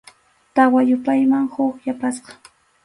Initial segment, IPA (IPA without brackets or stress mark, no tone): t̪